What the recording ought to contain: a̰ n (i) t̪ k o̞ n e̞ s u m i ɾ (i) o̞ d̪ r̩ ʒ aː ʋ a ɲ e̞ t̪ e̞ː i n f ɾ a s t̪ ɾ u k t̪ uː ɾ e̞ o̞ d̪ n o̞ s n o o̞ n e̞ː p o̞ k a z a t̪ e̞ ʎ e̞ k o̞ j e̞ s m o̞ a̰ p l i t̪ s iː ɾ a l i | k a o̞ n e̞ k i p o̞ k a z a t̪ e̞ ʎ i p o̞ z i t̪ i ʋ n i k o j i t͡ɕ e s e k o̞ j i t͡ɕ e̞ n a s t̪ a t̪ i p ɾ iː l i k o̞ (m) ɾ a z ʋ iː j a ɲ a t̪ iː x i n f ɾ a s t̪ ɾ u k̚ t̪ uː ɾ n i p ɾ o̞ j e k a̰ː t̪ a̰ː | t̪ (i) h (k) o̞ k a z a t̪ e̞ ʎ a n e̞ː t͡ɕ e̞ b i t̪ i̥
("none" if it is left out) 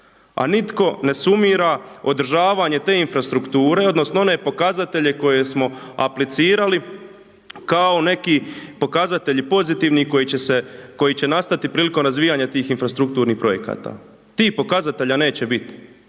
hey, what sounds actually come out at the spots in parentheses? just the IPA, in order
i, a, m, iː, p

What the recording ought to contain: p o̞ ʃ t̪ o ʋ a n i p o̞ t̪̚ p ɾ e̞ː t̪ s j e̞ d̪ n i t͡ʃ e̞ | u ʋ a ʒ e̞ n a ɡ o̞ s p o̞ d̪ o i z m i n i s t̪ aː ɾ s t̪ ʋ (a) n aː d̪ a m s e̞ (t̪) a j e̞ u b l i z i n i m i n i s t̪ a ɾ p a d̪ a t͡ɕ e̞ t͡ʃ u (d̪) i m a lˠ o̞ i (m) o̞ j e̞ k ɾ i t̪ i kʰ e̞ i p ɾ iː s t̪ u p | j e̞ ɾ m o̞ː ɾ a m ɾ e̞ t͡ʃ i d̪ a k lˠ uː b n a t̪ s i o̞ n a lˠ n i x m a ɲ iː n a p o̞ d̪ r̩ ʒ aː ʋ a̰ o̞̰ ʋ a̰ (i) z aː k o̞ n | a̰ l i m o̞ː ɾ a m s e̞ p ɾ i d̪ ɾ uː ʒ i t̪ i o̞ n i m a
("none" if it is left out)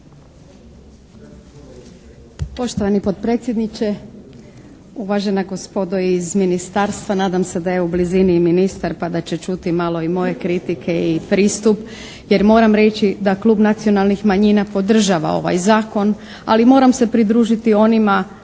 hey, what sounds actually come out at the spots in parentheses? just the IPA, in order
a, d̪, t̪, m, j

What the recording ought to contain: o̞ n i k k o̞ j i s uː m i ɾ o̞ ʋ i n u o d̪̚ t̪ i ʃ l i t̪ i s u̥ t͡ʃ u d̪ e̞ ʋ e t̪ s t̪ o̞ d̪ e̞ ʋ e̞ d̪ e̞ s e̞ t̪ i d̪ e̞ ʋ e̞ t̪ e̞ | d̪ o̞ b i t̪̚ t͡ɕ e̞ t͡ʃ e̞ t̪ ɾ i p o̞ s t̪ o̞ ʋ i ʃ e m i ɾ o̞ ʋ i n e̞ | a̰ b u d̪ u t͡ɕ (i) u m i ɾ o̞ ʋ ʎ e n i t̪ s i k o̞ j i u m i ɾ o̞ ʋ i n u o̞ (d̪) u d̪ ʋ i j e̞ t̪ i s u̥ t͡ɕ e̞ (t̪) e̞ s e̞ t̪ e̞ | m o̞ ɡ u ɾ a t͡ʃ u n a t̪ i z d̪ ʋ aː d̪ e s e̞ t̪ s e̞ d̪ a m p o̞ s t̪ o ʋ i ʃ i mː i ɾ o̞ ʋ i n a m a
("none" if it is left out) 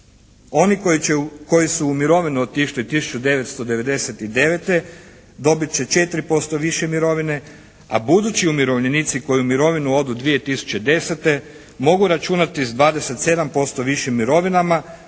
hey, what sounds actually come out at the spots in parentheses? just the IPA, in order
i, d̪, d̪

